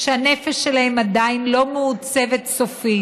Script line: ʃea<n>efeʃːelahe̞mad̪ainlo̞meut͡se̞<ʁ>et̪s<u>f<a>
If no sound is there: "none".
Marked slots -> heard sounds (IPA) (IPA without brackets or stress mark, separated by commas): n, v, o, i